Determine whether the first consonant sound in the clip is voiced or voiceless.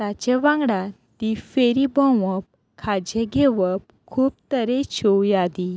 voiceless